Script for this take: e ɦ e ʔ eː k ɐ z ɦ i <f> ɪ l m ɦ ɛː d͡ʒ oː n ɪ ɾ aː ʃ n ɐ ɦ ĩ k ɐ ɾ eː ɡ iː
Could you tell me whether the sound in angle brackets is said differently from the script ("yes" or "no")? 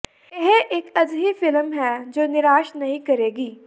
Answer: no